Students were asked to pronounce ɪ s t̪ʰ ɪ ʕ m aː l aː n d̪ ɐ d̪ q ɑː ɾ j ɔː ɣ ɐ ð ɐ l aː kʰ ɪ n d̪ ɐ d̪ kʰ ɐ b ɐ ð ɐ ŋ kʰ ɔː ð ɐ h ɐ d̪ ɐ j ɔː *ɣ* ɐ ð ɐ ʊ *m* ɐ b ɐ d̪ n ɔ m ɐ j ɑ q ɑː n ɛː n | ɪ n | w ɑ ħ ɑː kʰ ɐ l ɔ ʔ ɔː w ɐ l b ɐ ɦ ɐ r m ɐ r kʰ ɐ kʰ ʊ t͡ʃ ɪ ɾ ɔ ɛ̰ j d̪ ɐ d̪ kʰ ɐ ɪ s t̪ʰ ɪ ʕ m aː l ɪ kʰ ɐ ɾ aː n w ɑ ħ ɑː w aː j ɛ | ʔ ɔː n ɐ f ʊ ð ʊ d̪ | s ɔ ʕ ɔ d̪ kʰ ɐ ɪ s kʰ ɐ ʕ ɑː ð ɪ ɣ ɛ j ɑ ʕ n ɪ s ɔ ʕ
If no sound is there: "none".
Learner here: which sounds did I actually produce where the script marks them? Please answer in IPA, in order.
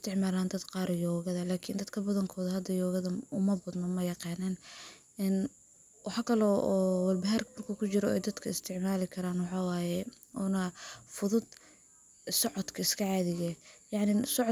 ɣ, m

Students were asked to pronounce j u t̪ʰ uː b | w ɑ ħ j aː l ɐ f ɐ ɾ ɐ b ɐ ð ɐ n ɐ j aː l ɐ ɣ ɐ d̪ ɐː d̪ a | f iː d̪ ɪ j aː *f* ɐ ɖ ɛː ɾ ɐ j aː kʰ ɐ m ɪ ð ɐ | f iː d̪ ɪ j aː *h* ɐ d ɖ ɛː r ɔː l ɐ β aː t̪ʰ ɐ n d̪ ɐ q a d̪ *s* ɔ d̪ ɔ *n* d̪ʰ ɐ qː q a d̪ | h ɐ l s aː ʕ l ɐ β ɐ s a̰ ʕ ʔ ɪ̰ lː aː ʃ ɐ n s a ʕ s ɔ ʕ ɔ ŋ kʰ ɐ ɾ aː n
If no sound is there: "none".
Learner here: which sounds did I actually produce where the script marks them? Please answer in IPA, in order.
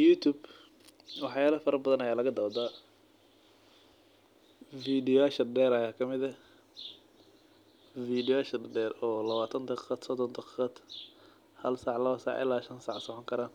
ʃ, ʃ, s, n

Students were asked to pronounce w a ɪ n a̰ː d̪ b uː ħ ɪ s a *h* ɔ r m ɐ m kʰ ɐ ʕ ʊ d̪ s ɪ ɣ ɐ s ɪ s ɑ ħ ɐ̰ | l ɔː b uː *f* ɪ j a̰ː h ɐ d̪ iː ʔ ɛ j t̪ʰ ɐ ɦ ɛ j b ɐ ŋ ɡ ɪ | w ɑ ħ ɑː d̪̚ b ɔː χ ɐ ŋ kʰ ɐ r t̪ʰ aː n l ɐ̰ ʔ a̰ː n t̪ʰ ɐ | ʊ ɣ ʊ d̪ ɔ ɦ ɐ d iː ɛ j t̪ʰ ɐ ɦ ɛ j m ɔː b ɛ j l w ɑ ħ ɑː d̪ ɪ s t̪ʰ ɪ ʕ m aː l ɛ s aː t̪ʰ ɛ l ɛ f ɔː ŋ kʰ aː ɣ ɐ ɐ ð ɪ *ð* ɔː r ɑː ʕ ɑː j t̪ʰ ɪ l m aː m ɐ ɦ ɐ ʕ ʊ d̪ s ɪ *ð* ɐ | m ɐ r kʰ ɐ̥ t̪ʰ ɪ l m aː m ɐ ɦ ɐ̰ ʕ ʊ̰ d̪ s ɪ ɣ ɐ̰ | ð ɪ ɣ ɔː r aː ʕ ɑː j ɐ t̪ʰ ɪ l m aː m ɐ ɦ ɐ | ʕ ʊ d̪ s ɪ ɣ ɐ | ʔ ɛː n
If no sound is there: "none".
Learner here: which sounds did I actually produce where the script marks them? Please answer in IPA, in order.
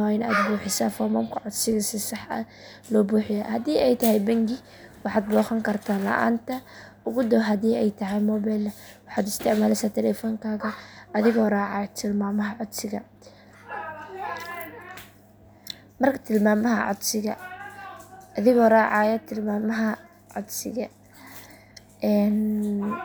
f, ħ, ɣ, ɣ

